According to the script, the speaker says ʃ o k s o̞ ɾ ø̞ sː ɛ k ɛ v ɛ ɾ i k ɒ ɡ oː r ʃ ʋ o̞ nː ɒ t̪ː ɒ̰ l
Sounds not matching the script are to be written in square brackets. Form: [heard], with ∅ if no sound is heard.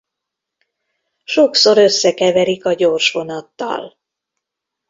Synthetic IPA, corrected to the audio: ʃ o k s o̞ ɾ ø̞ sː ɛ k ɛ v ɛ ɾ i k ɒ [ɟ] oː r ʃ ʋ o̞ [n] ɒ t̪ː ɒ̰ l